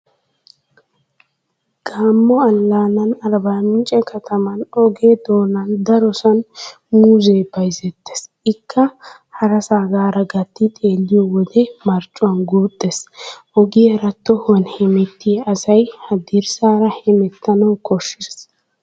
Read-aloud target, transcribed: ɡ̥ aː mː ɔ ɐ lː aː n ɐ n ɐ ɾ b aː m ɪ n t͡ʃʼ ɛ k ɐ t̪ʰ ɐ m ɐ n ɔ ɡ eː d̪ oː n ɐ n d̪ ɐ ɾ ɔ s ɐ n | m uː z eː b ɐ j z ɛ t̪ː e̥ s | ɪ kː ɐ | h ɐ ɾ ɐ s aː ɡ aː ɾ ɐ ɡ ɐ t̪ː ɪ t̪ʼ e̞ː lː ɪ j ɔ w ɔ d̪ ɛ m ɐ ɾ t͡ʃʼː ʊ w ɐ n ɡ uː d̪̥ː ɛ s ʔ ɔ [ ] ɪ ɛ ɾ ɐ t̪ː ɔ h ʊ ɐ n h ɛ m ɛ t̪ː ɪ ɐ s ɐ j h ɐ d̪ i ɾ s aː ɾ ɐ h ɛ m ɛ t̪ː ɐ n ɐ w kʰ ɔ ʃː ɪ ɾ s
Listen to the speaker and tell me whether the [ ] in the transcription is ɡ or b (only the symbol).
ɡ